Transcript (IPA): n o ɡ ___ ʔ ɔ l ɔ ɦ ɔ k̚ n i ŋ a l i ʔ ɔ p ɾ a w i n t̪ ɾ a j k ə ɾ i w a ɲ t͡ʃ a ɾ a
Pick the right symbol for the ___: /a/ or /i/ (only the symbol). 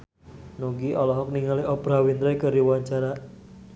i